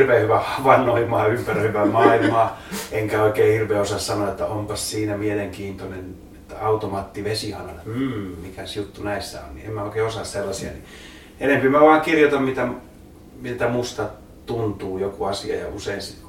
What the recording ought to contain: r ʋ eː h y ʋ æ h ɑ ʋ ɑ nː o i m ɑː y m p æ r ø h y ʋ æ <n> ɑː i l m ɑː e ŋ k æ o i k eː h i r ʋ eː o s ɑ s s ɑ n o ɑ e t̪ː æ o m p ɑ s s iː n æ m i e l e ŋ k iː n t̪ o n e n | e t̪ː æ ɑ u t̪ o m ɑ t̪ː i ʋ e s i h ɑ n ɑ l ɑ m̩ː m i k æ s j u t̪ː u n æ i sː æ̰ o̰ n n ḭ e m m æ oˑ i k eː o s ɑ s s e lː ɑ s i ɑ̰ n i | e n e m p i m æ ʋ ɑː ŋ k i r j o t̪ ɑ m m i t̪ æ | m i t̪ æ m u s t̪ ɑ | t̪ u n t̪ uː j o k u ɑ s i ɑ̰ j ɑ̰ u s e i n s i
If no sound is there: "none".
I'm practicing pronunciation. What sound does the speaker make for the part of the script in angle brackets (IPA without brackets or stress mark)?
m